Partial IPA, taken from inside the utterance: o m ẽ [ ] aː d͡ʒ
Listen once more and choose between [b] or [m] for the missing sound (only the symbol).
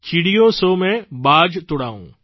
b